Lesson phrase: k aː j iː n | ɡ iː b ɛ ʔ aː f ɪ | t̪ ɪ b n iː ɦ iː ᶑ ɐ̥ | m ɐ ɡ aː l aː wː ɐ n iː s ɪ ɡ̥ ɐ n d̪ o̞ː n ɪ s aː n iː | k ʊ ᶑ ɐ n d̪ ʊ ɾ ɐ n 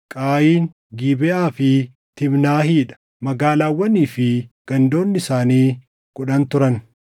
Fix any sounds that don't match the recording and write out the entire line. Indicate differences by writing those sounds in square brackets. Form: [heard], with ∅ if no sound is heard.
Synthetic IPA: [kʼ] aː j iː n | ɡ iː b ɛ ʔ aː f ɪ | t̪ ɪ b n [aː] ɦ iː ᶑ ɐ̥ | m ɐ ɡ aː l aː wː ɐ n iː [f] ɪ ɡ̥ ɐ n d̪ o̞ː [nː] ɪ s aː n iː | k ʊ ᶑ ɐ n [t̪] ʊ ɾ ɐ n

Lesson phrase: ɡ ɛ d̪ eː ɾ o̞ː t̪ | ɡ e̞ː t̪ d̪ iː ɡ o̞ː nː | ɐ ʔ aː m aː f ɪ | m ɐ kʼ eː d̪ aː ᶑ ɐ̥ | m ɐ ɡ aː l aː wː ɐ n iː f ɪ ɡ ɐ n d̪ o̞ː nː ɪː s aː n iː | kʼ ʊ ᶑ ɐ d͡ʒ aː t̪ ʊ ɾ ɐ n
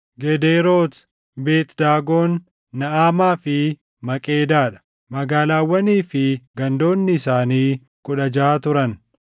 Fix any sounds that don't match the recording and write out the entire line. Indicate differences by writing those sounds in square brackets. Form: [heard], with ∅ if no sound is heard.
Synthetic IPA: ɡ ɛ d̪ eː ɾ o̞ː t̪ | [b] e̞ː t̪ d̪ [aː] ɡ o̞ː nː | ɐ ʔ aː m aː f ɪ | m ɐ kʼ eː d̪ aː ᶑ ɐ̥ | m ɐ ɡ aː l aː wː ɐ n iː f ɪ ɡ ɐ n d̪ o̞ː nː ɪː s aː n iː | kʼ ʊ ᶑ ɐ d͡ʒ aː t̪ ʊ ɾ ɐ n

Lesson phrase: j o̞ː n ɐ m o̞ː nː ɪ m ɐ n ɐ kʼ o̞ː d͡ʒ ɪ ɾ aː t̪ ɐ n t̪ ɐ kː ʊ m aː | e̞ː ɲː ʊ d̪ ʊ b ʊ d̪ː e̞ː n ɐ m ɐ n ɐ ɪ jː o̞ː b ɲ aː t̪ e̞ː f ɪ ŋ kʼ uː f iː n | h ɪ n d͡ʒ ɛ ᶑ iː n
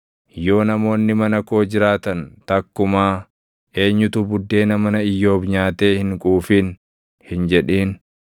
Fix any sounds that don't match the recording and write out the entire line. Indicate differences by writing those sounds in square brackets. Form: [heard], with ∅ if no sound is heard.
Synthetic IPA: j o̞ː n ɐ m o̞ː nː ɪ m ɐ n ɐ [k] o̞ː d͡ʒ ɪ ɾ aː t̪ ɐ n t̪ ɐ kː ʊ m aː | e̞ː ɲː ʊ [t̪] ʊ b ʊ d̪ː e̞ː n ɐ m ɐ n ɐ ɪ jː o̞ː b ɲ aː t̪ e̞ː [h] ɪ ŋ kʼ uː f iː n | h ɪ n d͡ʒ ɛ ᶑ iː n

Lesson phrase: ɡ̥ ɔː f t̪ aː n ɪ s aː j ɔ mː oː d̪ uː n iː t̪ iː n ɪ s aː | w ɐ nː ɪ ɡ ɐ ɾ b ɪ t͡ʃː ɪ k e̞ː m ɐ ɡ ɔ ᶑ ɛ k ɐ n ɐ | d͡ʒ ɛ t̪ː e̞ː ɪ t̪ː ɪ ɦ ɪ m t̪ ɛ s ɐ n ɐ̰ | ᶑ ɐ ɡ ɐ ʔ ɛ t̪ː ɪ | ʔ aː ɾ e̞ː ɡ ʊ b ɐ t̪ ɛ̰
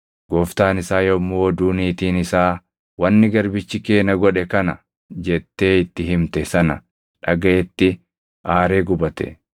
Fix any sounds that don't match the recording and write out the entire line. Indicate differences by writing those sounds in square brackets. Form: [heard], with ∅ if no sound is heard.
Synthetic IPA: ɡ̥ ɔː f t̪ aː n ɪ s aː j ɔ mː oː d̪ uː n iː t̪ iː n ɪ s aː | w ɐ nː ɪ ɡ ɐ ɾ b ɪ t͡ʃː ɪ k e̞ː [n] ɐ ɡ ɔ ᶑ ɛ k ɐ n ɐ | d͡ʒ ɛ t̪ː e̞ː ɪ t̪ː ɪ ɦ ɪ m t̪ ɛ s ɐ n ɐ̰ | ᶑ ɐ ɡ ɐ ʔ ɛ t̪ː ɪ | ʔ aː ɾ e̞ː ɡ ʊ b ɐ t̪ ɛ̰

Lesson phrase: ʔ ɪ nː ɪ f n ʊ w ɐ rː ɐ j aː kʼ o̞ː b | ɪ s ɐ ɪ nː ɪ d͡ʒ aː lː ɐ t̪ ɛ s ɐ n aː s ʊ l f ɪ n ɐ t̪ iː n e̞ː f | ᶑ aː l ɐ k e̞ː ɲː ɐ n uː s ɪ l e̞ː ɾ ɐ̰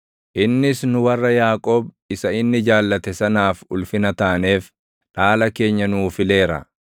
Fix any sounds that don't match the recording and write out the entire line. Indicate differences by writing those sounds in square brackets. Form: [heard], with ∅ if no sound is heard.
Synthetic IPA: ʔ ɪ nː ɪ [s] n ʊ w ɐ rː ɐ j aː kʼ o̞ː b | ɪ s ɐ ɪ nː ɪ d͡ʒ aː lː ɐ t̪ ɛ s ɐ n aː [f] ʊ l f ɪ n ɐ t̪ [aː] n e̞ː f | ᶑ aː l ɐ k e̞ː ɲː ɐ n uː [f] ɪ l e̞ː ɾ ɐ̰

